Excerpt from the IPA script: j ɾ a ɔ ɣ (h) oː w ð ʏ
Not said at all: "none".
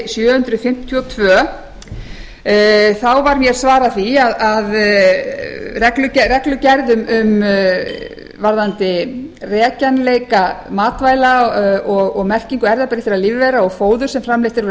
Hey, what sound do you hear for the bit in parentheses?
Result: f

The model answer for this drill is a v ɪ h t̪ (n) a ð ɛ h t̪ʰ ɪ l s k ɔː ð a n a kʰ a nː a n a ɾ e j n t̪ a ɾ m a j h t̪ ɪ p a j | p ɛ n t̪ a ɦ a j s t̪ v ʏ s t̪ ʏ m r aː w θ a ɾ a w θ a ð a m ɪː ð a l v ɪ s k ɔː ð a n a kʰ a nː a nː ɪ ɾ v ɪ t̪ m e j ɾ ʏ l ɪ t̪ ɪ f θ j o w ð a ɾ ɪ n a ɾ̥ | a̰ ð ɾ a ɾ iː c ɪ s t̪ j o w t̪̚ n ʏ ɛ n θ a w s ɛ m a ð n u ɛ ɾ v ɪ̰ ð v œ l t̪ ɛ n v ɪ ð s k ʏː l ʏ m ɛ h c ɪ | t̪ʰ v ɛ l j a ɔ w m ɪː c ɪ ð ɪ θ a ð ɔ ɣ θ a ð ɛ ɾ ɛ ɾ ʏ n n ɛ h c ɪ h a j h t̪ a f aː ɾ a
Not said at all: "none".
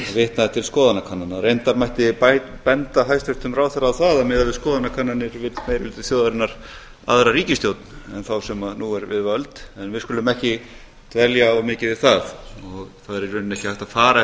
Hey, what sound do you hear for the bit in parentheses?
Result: n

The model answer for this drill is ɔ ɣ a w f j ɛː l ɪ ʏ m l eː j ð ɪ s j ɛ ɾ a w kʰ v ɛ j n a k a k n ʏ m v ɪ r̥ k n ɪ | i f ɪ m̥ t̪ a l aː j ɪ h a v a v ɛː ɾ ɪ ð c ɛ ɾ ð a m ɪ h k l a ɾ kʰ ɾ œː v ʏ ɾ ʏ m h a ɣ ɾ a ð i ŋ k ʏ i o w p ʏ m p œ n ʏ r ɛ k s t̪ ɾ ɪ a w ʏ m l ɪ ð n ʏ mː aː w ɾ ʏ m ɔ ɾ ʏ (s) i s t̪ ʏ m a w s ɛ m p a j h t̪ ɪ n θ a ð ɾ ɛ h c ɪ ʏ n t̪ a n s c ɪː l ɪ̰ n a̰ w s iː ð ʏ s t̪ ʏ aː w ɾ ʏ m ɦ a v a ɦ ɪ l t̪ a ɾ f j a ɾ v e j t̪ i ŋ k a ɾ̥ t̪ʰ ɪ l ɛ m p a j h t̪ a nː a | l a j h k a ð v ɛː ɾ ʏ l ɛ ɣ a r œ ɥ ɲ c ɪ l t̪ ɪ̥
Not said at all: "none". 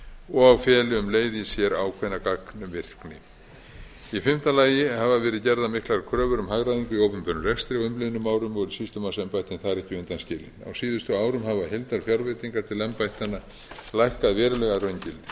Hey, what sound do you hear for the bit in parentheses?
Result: s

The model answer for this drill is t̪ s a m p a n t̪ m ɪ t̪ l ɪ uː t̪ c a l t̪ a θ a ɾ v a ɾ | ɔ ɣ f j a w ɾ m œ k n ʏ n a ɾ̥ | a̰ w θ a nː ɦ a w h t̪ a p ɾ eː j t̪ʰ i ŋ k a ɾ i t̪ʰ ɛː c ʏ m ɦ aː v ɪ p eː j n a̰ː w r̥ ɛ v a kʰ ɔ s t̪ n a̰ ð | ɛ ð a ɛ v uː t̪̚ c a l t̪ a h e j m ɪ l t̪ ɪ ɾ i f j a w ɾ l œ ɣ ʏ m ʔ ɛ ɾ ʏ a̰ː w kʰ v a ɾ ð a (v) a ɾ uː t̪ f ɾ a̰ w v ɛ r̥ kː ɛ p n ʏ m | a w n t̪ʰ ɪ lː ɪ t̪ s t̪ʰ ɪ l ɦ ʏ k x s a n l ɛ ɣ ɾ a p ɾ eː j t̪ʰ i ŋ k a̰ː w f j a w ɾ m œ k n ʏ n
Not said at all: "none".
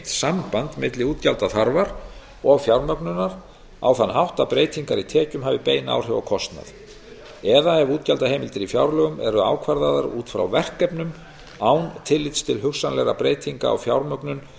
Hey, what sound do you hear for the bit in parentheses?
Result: ð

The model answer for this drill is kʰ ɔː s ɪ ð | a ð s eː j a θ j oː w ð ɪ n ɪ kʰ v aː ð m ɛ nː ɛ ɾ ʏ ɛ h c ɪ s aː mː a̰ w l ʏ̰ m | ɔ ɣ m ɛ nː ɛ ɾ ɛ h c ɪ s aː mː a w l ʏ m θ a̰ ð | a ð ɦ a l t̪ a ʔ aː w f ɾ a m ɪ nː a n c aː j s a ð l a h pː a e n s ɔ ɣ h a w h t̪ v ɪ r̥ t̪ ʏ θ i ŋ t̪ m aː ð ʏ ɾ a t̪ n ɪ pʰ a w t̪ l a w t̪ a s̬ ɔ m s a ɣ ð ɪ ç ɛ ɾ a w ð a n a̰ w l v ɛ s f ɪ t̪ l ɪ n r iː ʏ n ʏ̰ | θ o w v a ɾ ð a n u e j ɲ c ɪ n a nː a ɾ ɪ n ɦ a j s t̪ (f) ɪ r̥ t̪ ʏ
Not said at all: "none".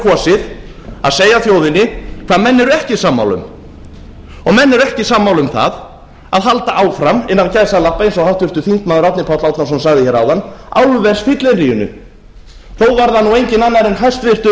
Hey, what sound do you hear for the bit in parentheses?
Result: v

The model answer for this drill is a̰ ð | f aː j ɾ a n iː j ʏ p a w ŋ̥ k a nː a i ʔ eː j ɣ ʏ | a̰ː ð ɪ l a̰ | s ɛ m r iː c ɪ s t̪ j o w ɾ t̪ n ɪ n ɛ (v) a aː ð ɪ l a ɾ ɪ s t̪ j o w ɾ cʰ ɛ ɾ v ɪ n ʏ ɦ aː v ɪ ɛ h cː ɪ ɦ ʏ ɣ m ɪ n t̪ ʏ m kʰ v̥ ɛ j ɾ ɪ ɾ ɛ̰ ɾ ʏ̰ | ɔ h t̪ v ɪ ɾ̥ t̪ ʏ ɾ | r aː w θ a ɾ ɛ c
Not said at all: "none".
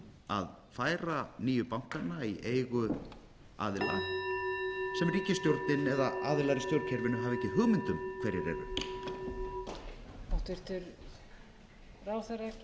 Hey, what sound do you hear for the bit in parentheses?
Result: ð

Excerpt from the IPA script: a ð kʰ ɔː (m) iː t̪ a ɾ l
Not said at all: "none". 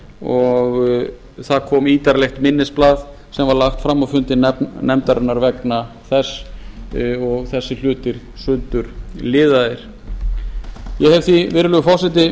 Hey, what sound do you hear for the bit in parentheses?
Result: m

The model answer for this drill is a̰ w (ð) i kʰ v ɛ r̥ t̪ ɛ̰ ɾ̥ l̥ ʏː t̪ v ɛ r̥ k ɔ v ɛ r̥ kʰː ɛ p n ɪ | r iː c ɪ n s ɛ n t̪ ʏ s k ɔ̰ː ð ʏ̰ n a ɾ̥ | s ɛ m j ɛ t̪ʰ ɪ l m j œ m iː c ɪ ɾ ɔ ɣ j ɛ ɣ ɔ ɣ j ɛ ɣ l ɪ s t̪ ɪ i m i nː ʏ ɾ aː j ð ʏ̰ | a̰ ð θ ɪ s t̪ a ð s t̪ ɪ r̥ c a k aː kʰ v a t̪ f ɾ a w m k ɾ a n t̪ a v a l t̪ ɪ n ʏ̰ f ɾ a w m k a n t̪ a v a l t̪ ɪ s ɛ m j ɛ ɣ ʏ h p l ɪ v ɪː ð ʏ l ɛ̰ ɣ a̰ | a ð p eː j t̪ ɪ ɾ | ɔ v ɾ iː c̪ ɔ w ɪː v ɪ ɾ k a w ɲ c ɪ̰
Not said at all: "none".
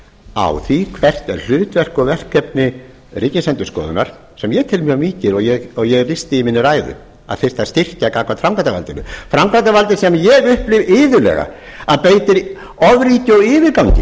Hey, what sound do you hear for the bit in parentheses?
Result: θ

